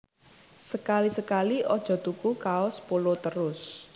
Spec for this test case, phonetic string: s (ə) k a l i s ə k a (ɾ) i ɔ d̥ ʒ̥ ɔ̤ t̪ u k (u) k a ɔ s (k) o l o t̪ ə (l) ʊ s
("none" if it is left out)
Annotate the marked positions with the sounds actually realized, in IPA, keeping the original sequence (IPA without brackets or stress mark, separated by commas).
ə, l, u, p, ɾ